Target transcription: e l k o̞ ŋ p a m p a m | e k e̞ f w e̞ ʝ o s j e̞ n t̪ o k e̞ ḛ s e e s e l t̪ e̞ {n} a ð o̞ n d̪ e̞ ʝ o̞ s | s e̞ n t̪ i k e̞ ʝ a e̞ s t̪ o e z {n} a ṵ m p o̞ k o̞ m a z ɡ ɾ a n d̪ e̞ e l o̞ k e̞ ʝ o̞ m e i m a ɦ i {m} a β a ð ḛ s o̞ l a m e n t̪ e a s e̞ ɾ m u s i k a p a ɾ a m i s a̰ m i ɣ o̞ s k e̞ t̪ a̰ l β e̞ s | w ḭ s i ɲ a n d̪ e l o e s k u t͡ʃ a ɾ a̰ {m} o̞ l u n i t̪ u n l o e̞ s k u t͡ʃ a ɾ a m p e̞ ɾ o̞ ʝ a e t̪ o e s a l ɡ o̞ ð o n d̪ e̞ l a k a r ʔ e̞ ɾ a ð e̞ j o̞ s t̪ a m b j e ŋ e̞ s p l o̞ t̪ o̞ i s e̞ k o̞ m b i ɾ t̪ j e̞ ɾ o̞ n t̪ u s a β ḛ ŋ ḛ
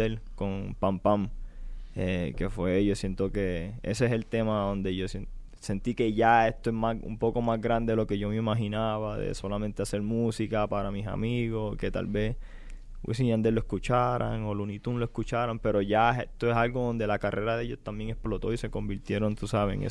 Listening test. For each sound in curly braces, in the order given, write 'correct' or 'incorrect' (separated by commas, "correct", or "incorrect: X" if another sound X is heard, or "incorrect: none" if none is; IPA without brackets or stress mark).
incorrect: m, incorrect: m, incorrect: n, incorrect: ŋ